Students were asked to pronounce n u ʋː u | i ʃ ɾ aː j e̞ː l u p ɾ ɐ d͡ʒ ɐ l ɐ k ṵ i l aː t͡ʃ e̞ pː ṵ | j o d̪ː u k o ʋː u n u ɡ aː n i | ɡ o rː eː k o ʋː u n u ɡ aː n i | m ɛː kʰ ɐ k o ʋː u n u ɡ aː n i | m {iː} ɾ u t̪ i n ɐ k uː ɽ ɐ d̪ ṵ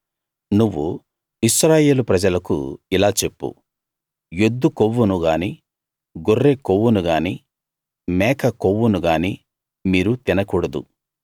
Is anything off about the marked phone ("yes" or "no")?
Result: no